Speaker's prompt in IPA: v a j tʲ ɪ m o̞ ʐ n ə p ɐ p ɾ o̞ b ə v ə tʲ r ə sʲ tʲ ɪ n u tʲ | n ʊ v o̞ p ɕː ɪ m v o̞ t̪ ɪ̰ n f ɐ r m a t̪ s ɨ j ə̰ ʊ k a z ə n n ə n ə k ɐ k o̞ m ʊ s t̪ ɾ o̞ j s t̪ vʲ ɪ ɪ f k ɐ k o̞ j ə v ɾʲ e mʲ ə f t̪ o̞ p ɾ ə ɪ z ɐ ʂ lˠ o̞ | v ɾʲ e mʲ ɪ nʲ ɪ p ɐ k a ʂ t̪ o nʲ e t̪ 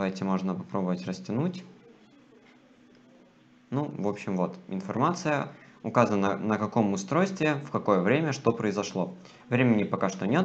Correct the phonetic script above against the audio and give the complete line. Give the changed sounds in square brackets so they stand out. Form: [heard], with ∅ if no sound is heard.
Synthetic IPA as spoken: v a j tʲ ɪ m o̞ ʐ n ə p ɐ p ɾ o̞ b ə v ə tʲ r ə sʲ tʲ ɪ n u tʲ | n [u] v o̞ p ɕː ɪ m v o̞ t̪ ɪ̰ n f ɐ r m a t̪ s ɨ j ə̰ ʊ k a z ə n n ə n ə k ɐ k o̞ m ʊ s t̪ ɾ o̞ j s t̪ vʲ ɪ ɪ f k ɐ k o̞ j ə v ɾʲ e mʲ ə [ʂ] t̪ o̞ p ɾ ə ɪ z ɐ ʂ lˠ o̞ | v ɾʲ e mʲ ɪ nʲ ɪ p ɐ k a ʂ t̪ o nʲ e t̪

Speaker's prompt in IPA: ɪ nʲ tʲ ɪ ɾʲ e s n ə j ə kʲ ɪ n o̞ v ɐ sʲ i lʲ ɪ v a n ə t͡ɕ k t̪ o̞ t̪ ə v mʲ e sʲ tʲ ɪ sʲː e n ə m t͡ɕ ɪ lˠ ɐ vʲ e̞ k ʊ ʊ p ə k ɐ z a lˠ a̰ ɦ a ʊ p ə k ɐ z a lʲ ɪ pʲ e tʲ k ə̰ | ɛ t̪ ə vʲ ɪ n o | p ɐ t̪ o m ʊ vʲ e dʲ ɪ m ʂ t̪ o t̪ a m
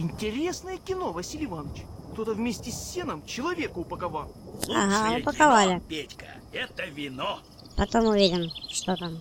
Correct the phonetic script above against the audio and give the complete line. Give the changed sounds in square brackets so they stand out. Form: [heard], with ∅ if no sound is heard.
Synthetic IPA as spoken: ɪ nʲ tʲ ɪ ɾʲ e s n ə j ə kʲ ɪ n o̞ v ɐ sʲ i lʲ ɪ v a n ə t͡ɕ k t̪ o̞ t̪ ə v mʲ e sʲ tʲ ɪ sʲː e n ə m t͡ɕ ɪ lˠ ɐ vʲ e̞ k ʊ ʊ p ə k ɐ [v] a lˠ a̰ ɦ a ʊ p ə k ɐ [v] a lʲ ɪ pʲ e tʲ k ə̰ | ɛ t̪ ə vʲ ɪ n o | p ɐ t̪ o m ʊ vʲ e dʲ ɪ m ʂ t̪ o t̪ a m

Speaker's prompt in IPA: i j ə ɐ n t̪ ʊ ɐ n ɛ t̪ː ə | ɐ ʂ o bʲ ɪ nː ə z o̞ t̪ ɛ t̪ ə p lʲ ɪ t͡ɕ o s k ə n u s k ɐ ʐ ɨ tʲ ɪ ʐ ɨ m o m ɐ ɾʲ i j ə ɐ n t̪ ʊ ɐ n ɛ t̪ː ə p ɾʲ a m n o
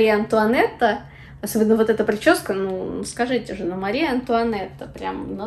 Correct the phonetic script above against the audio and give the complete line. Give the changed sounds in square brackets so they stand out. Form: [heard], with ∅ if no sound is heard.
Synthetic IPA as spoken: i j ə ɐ n t̪ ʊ ɐ n ɛ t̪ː ə | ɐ [s] o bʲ ɪ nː ə [v] o̞ t̪ ɛ t̪ ə p [ɾʲ] ɪ t͡ɕ o s k ə n u s k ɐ ʐ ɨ tʲ ɪ ʐ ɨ [n] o m ɐ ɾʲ i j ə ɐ n t̪ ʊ ɐ n ɛ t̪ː ə p ɾʲ a m n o

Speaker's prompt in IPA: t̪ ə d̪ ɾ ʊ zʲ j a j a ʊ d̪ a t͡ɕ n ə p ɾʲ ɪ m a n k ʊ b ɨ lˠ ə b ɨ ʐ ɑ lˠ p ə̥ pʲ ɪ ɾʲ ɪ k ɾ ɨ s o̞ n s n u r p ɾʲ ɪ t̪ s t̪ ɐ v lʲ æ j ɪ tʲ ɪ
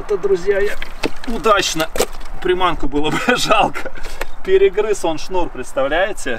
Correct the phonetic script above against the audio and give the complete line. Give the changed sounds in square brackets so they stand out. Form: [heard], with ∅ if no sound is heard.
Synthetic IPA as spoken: t̪ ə d̪ ɾ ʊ zʲ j a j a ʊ d̪ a t͡ɕ n ə p ɾʲ ɪ m a n k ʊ b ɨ lˠ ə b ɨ ʐ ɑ lˠ [k] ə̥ pʲ ɪ ɾʲ ɪ [ɡ] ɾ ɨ s o̞ n [ʂ] n u r p ɾʲ ɪ t̪ s t̪ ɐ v lʲ æ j ɪ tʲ ɪ

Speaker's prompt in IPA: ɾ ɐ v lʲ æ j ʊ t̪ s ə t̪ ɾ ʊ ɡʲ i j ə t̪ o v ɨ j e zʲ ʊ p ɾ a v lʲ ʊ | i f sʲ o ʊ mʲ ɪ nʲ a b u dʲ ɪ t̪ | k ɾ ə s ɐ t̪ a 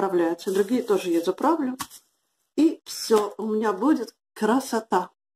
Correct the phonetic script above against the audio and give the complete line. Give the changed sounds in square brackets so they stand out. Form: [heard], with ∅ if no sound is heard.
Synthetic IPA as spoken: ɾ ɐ v lʲ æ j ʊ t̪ s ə [d̪] ɾ ʊ ɡʲ i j ə t̪ o [ʐ] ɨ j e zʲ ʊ p ɾ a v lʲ ʊ | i f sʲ o ʊ mʲ ɪ nʲ a b u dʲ ɪ t̪ | k ɾ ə s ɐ t̪ a

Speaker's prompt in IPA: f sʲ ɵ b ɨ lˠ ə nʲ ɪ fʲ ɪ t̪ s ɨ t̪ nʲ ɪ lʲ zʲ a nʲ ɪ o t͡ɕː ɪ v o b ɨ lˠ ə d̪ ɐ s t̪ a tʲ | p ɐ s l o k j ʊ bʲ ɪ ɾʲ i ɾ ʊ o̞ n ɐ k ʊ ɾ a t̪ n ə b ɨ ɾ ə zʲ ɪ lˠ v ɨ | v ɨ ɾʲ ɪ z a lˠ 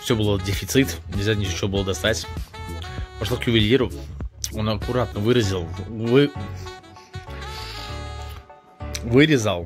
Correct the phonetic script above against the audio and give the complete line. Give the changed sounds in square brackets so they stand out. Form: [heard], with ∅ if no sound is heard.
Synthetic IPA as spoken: f sʲ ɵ b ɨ lˠ ə [dʲ] ɪ fʲ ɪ t̪ s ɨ t̪ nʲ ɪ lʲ zʲ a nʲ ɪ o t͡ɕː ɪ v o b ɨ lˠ ə d̪ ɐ s t̪ a tʲ | p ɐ [ʂ] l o k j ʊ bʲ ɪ [lʲ] i ɾ ʊ o̞ n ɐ k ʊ ɾ a t̪ n ə [v] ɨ ɾ ə zʲ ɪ lˠ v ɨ | v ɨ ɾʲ ɪ z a lˠ

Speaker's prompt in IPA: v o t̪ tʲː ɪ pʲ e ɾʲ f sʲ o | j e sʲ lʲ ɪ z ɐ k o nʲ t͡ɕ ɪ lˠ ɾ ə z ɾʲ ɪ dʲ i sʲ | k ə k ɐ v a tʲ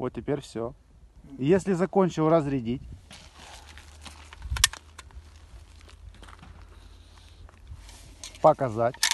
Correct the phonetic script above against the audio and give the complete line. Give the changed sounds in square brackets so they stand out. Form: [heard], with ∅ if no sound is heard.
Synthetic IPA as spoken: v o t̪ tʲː ɪ pʲ e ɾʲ f sʲ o | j e sʲ lʲ ɪ z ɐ k o nʲ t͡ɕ ɪ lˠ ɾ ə z ɾʲ ɪ dʲ i [tʲ] | [p] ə k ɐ [z] a tʲ

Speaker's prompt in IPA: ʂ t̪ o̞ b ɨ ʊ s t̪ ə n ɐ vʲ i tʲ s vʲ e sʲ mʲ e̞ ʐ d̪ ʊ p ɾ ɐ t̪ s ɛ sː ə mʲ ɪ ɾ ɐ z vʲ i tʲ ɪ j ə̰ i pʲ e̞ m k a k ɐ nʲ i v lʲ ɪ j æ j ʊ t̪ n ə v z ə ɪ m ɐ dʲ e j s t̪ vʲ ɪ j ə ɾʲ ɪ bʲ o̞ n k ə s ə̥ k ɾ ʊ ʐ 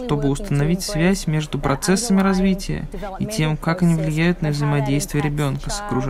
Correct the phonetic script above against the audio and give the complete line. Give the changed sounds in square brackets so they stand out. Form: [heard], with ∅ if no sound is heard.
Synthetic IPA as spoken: ʂ t̪ o̞ b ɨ ʊ s t̪ ə n ɐ vʲ i tʲ s vʲ [æ] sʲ mʲ e̞ ʐ d̪ ʊ p ɾ ɐ t̪ s ɛ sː ə mʲ ɪ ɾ ɐ z vʲ i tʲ ɪ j ə̰ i [tʲ] e̞ m k a k ɐ nʲ i v lʲ ɪ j æ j ʊ t̪ n ə v z ə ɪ m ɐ dʲ e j s t̪ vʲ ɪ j ə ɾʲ ɪ bʲ o̞ n k ə s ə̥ k ɾ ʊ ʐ

